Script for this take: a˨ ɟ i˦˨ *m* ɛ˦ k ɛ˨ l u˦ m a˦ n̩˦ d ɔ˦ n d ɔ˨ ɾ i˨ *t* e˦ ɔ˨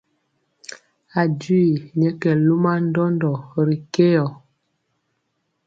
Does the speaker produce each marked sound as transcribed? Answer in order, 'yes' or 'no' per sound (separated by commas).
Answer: no, no